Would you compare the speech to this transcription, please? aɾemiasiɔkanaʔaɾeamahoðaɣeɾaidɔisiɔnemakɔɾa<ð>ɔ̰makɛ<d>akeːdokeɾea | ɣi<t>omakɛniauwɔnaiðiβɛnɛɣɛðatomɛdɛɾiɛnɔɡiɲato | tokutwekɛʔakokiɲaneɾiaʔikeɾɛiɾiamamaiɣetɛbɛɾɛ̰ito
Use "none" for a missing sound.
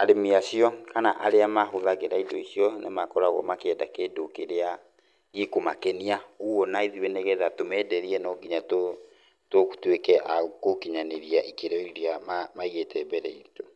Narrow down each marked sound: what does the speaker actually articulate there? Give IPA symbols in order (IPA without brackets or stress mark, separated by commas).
ɣ, d, k